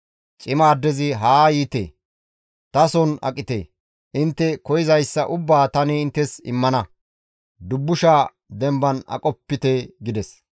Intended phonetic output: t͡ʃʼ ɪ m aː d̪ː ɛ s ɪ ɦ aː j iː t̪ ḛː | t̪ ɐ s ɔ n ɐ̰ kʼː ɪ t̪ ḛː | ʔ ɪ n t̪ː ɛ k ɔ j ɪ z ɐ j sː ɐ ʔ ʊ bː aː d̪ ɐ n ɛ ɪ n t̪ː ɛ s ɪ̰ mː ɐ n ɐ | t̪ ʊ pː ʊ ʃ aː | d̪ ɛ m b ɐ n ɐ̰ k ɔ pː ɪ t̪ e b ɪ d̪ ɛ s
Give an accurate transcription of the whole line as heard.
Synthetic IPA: t͡ʃʼ ɪ m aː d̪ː ɛ z ɪ ɦ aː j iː t̪ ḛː | t̪ ɐ s ɔ n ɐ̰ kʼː ɪ t̪ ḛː | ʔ ɪ n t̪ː ɛ k ɔ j ɪ z ɐ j sː ɐ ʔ ʊ bː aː t̪ ɐ n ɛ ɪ n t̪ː ɛ s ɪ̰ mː ɐ n ɐ | d̪ ʊ bː ʊ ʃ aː | d̪ ɛ m b ɐ n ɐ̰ kʼ ɔ pː ɪ t̪ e ɡ ɪ d̪ ɛ s